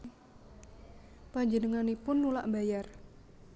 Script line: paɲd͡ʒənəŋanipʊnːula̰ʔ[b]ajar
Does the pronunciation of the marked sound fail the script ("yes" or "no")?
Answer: no